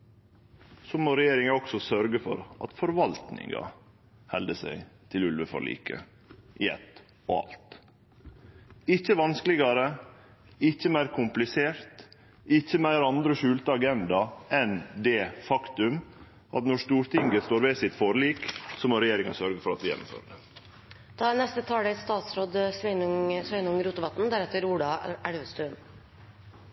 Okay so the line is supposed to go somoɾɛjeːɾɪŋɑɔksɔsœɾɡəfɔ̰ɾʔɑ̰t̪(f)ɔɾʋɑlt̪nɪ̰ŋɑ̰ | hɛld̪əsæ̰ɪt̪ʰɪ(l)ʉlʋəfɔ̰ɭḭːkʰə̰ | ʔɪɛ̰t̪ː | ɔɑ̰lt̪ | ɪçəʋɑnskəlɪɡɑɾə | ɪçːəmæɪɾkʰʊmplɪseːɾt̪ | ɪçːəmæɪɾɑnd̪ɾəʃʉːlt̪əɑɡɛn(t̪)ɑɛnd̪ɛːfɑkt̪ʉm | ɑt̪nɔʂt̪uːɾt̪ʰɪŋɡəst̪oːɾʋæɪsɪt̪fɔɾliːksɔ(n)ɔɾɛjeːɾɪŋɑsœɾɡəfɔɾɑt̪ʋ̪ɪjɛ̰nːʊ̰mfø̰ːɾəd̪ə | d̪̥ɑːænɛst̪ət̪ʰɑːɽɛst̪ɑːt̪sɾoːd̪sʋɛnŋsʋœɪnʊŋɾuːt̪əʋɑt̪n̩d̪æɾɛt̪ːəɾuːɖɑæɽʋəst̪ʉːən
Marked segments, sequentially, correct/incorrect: correct, correct, incorrect, incorrect

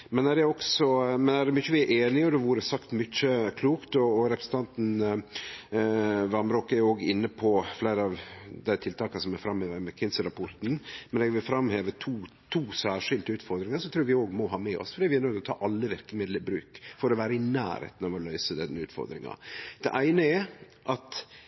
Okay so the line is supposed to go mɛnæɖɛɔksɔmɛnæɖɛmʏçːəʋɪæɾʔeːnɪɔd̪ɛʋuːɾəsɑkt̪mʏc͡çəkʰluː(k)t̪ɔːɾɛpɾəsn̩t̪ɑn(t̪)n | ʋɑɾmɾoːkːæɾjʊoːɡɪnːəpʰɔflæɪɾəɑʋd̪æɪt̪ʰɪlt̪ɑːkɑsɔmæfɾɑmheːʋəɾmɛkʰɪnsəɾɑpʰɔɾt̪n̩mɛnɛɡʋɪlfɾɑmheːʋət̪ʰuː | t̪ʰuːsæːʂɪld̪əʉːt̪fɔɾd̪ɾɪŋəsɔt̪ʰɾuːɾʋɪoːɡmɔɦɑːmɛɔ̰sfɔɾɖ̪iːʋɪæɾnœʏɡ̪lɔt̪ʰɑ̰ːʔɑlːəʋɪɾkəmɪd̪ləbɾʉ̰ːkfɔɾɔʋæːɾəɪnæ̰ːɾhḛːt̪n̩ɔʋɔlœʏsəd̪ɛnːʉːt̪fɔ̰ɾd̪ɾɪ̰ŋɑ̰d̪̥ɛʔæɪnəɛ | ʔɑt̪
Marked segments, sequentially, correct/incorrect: correct, correct

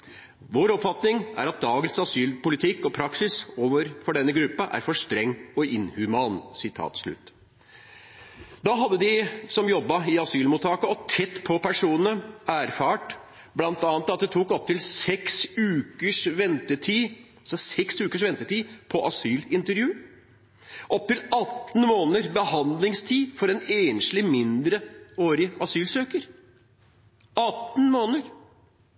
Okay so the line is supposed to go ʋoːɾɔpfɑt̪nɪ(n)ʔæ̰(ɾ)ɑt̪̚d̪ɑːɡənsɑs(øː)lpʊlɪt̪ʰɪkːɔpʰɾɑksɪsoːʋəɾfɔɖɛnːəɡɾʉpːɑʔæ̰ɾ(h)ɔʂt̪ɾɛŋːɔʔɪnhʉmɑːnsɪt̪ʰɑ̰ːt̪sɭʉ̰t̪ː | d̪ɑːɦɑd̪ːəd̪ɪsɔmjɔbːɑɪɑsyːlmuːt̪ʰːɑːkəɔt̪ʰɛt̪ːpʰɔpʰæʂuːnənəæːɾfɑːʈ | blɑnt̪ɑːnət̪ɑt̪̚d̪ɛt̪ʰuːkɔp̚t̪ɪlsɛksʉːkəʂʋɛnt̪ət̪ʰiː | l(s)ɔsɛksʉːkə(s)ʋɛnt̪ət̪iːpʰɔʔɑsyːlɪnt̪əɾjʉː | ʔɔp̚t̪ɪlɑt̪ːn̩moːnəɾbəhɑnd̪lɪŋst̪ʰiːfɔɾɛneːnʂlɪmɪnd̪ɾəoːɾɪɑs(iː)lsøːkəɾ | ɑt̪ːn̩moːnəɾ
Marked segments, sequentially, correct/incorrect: incorrect, correct, incorrect, incorrect, correct, incorrect, incorrect

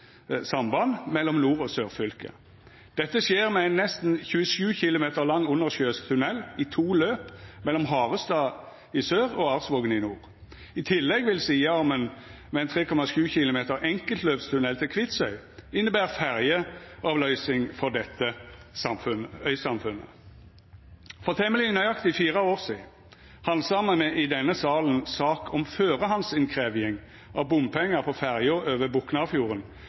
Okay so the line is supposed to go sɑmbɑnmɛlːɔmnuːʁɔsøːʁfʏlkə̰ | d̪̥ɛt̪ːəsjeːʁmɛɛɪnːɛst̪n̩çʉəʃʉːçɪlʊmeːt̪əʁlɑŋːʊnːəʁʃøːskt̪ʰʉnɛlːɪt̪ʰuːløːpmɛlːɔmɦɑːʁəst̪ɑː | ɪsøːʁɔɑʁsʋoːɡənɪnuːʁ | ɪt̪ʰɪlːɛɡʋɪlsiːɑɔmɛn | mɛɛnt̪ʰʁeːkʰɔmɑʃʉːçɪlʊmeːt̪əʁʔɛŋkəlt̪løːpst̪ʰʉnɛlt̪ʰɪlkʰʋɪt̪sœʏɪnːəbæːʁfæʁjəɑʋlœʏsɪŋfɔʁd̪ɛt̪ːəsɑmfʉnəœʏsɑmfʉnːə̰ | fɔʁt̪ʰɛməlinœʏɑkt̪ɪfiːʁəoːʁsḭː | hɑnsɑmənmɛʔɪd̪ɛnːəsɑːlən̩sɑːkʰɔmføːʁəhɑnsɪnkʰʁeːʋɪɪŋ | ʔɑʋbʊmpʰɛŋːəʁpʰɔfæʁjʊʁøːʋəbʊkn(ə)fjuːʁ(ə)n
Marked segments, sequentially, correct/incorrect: incorrect, correct

